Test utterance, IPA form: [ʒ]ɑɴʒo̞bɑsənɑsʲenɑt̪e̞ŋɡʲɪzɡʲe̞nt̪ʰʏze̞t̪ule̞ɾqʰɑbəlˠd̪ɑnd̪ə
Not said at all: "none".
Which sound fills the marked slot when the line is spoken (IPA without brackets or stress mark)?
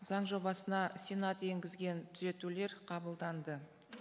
z